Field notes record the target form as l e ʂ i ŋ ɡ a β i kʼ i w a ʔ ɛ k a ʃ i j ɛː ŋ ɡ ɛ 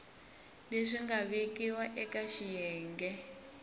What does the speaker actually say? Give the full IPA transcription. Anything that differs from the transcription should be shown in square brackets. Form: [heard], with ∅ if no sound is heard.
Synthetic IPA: l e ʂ i ŋ ɡ a β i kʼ i w a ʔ ɛ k a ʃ i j ɛː ŋ ɡ ɛ